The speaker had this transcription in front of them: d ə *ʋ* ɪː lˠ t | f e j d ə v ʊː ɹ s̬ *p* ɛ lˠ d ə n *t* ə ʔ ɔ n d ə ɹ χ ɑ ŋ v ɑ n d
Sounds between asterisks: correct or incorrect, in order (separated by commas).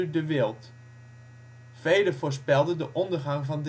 correct, correct, incorrect